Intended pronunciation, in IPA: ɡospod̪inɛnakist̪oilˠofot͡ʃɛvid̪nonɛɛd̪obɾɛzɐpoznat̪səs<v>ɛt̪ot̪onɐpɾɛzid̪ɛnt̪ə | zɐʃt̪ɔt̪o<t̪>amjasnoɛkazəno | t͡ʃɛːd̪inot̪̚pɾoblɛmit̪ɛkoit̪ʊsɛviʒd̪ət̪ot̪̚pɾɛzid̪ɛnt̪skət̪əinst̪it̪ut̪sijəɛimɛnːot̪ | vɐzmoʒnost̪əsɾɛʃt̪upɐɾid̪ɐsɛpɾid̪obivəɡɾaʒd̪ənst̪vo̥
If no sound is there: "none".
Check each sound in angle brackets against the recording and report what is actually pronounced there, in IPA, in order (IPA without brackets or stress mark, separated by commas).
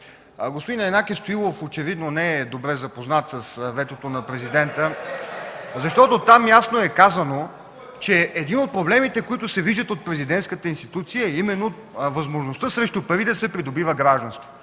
v, t̪